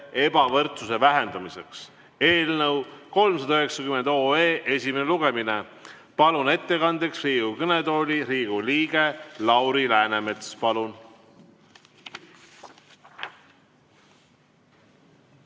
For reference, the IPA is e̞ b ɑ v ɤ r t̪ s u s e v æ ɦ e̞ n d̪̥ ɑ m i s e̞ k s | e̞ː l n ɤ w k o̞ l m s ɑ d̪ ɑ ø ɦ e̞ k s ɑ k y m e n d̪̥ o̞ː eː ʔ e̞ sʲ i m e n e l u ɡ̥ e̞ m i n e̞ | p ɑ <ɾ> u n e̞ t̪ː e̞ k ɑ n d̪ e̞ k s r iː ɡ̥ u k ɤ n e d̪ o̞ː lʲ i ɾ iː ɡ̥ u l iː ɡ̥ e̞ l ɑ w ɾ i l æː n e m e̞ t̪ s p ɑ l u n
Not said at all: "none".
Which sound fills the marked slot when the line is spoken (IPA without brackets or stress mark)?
l